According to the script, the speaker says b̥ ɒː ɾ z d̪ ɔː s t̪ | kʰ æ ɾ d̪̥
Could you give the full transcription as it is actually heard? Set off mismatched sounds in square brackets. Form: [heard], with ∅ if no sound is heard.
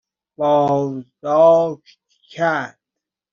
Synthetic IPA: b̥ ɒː [∅] z d̪ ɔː [ʃ] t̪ | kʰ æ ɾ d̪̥